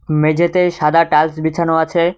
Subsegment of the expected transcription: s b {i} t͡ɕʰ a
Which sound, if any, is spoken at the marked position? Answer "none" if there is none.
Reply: i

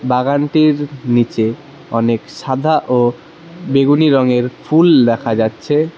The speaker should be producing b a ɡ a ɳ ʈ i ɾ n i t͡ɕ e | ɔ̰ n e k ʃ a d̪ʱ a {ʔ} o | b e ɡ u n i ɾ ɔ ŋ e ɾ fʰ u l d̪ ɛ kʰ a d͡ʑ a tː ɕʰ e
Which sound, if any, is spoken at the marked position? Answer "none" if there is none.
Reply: ʔ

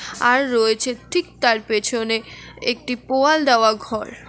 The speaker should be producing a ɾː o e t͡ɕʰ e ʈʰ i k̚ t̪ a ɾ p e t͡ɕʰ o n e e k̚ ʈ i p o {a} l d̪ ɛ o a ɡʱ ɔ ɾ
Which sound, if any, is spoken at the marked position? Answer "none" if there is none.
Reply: a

